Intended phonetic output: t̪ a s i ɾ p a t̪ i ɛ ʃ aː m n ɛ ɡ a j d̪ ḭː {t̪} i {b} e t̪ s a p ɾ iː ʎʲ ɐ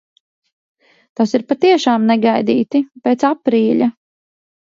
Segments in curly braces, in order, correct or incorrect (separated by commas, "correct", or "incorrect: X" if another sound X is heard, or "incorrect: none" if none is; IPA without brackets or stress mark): correct, incorrect: p